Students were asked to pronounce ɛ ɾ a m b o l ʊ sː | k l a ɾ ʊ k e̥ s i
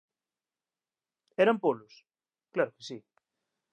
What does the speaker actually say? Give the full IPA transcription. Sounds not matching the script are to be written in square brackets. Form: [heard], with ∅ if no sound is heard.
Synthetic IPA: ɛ ɾ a m [p] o l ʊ [s] | k l a ɾ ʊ k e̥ s i

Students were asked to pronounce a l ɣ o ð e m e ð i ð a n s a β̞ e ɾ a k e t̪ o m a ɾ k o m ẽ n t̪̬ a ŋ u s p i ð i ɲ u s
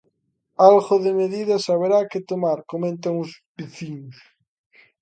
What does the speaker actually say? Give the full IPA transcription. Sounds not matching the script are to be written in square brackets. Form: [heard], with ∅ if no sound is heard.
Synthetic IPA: a l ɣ o ð e m e ð i ð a [∅] s a β̞ e ɾ a k e t̪ o m a ɾ k o m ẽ n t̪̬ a ŋ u s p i [θ] i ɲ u s

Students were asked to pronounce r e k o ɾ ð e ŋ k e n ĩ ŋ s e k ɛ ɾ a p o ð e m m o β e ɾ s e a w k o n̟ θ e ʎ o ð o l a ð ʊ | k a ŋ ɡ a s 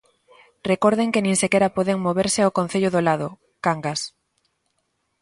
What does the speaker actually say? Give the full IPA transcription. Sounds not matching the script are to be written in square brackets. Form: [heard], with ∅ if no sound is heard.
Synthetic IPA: r e k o ɾ ð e ŋ k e n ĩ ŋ s e k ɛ ɾ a p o ð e [ŋ] m o β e ɾ s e a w k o n̟ θ e ʎ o ð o l a ð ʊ | k a ŋ ɡ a s

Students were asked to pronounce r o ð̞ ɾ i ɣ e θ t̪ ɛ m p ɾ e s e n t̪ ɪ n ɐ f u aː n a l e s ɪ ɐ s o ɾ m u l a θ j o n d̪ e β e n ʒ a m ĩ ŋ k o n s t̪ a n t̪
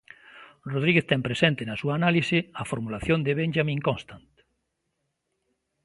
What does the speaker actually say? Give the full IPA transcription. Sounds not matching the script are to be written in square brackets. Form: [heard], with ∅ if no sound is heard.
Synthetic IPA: r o ð̞ ɾ i ɣ e θ t̪ ɛ m p ɾ e s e n t̪ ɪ n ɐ [s] u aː n a l [i] s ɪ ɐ [f] o ɾ m u l a θ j o n d̪ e β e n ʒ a m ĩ ŋ k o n s t̪ a n t̪

